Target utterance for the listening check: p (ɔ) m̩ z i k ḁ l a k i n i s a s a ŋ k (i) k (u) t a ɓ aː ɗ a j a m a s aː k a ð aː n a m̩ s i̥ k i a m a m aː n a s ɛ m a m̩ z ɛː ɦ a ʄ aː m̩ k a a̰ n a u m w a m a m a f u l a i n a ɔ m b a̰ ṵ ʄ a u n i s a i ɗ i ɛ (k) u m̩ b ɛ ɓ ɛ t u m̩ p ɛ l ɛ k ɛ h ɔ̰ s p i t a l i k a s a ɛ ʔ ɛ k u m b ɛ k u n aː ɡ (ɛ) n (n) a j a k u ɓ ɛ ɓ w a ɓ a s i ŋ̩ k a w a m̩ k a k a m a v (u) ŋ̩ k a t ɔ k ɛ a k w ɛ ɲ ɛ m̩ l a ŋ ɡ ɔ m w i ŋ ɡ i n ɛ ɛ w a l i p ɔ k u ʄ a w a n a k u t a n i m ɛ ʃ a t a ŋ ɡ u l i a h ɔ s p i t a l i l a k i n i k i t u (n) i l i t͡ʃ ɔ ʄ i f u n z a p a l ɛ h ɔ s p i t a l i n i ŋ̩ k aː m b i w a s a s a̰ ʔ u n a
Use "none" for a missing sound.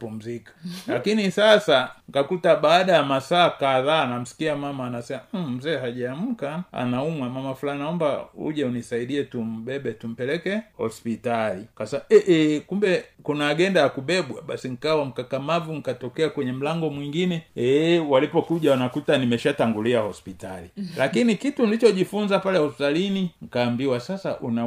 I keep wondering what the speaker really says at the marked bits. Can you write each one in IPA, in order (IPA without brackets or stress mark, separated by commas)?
u, a, u, t, ɛ, d, u, n